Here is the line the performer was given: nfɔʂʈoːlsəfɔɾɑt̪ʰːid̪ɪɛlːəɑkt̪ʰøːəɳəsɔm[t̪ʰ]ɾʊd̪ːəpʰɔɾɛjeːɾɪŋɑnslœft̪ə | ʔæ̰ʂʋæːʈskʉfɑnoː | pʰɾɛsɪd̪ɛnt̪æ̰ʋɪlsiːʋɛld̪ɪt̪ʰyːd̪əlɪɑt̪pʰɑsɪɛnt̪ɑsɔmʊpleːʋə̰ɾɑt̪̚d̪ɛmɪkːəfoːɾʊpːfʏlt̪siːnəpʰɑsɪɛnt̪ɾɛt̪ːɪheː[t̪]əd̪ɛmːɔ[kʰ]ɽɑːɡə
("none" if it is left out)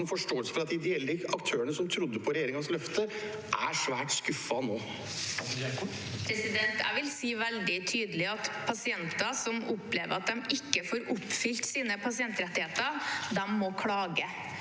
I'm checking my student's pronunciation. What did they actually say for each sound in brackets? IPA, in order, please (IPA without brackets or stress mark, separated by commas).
t̪ʰ, t̪, kʰ